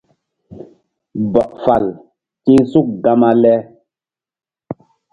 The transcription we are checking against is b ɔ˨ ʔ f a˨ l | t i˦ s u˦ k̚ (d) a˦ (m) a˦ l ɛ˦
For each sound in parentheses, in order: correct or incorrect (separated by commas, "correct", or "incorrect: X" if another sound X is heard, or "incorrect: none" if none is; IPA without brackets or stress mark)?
incorrect: ɡ, correct